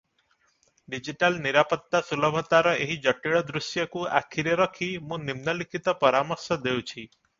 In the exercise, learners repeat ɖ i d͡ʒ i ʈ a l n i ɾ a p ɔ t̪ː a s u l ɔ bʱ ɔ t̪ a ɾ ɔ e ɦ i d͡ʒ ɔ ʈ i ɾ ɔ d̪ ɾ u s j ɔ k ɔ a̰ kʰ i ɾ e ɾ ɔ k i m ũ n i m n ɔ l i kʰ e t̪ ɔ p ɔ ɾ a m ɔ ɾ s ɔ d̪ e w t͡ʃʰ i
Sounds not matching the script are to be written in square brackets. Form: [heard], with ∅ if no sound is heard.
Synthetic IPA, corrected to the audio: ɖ i d͡ʒ i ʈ a l n i ɾ a p ɔ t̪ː a s u l ɔ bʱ ɔ t̪ a ɾ ɔ e ɦ i d͡ʒ ɔ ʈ i [ɭ] ɔ d̪ ɾ u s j ɔ k [u] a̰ kʰ i ɾ e ɾ ɔ [kʰ] i m ũ n i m n ɔ l i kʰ [i] t̪ ɔ p ɔ ɾ a m ɔ ɾ s ɔ d̪ e w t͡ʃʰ i

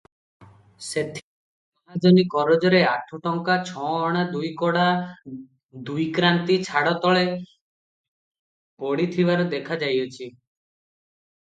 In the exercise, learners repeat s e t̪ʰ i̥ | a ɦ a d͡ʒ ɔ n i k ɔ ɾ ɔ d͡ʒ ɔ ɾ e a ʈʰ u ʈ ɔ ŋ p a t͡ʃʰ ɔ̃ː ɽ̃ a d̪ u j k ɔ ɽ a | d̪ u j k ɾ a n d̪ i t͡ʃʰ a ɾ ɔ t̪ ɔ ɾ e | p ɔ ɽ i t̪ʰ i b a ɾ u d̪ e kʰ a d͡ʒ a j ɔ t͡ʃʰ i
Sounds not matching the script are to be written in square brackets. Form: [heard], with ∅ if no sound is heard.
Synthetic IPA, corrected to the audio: s e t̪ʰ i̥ | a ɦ a d͡ʒ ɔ n i k ɔ ɾ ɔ d͡ʒ ɔ ɾ e a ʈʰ u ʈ ɔ ŋ [k] a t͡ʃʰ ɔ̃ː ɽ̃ a d̪ u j k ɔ ɽ a | d̪ u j k ɾ a n [t̪] i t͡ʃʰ a [ɽ] ɔ t̪ ɔ [ɭ] e | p ɔ ɽ i t̪ʰ i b a ɾ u d̪ e kʰ a d͡ʒ a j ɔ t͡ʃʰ i

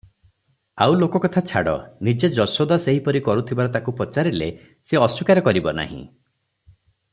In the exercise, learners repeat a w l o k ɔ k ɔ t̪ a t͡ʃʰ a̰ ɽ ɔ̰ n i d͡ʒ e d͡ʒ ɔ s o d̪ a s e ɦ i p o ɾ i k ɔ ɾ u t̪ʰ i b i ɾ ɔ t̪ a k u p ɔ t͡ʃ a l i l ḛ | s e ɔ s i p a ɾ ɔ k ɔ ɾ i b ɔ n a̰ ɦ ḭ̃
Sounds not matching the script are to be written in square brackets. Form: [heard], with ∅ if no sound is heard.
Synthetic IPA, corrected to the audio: a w l o k ɔ k ɔ [t̪ʰ] a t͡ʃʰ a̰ ɽ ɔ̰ n i d͡ʒ e d͡ʒ ɔ s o d̪ a s e ɦ i p [ɔ] ɾ i k ɔ ɾ u t̪ʰ i b [a] ɾ ɔ t̪ a k u p ɔ t͡ʃ a [ɾ] i l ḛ | s e ɔ s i [k] a ɾ ɔ k ɔ ɾ i b ɔ n a̰ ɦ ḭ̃

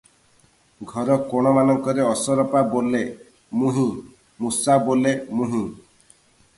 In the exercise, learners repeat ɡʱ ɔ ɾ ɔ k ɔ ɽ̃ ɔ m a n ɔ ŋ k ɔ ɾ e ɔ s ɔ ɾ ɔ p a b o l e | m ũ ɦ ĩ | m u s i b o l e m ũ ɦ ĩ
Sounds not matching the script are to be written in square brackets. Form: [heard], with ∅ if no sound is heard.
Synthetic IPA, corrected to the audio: ɡʱ ɔ ɾ ɔ k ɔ ɽ̃ ɔ m a n ɔ ŋ k ɔ ɾ e ɔ s ɔ ɾ ɔ p a b o l e | m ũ ɦ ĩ | m u s [a] b o l e m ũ ɦ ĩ

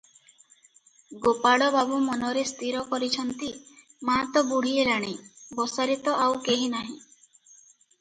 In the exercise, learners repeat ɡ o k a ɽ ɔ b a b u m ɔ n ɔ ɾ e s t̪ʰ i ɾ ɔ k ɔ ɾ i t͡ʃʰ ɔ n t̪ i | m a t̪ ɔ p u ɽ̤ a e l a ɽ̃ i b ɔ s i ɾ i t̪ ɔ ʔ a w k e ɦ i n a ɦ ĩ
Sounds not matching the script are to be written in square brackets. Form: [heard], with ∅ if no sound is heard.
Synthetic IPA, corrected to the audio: ɡ o [p] a ɽ ɔ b a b u m ɔ n ɔ ɾ e s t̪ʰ i ɾ ɔ k ɔ ɾ i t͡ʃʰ ɔ n t̪ i | m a t̪ ɔ [b] u ɽ̤ [i] e l a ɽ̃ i b ɔ s [a] ɾ i t̪ ɔ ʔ a w k e ɦ i n a ɦ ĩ

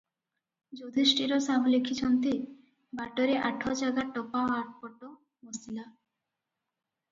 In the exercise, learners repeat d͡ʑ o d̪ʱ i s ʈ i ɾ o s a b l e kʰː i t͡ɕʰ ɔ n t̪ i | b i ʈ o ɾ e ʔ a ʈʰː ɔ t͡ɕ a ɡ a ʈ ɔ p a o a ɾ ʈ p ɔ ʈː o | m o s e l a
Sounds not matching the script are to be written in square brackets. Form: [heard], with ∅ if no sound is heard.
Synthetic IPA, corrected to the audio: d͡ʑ o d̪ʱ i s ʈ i ɾ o s a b l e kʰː i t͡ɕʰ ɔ n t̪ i | b [a] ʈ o ɾ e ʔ a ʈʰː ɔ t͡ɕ a ɡ a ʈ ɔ p a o a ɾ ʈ p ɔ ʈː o | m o s [i] l a

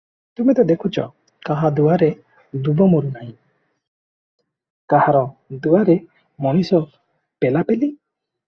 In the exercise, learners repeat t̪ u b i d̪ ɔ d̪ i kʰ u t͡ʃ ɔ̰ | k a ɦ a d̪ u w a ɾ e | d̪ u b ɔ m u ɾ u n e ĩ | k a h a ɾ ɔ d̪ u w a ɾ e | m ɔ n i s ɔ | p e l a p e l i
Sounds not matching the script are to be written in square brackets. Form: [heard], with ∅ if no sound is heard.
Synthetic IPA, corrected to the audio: t̪ u [m] i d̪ ɔ d̪ [e] kʰ u t͡ʃ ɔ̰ | k a ɦ a d̪ u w a ɾ e | d̪ u b ɔ m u ɾ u n [a] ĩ | k a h a ɾ ɔ d̪ u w a ɾ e | m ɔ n i s ɔ | p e l a p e l i

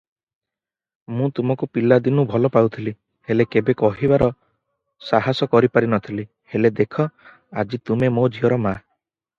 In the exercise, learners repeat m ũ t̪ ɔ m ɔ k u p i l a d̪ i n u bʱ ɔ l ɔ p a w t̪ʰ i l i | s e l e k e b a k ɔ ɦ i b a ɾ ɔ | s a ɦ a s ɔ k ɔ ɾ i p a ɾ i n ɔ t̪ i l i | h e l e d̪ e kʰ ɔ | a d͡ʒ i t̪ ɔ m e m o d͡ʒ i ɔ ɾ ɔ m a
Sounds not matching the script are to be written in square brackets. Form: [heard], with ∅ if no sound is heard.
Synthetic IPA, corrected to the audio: m ũ t̪ [u] m ɔ k u p i l a d̪ i n u bʱ ɔ l ɔ p a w t̪ʰ i l i | [h] e l e k e b [e] k ɔ ɦ i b a ɾ ɔ | s a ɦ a s ɔ k ɔ ɾ i p a ɾ i n ɔ [t̪ʰ] i l i | h e l e d̪ e kʰ ɔ | a d͡ʒ i t̪ [u] m e m o d͡ʒ i ɔ ɾ ɔ m a

